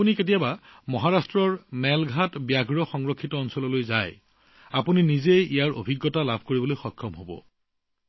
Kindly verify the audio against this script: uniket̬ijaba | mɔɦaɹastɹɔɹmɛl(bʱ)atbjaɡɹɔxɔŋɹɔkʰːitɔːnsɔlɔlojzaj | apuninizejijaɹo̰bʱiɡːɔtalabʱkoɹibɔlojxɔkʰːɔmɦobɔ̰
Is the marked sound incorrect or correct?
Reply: incorrect: ɡʱ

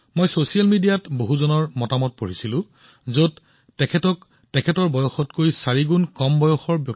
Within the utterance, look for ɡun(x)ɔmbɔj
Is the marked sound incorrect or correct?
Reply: incorrect: k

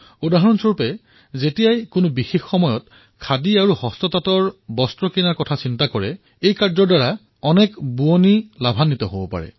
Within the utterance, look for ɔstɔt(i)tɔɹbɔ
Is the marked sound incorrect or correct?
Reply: incorrect: a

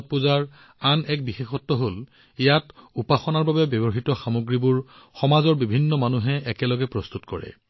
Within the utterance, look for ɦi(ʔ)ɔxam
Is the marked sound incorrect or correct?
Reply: incorrect: t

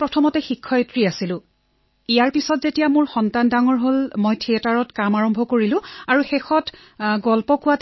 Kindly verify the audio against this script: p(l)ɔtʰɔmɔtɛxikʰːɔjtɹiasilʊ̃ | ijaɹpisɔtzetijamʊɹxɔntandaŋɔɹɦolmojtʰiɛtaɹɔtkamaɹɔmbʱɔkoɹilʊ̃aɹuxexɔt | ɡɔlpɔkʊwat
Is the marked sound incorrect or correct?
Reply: incorrect: ɹ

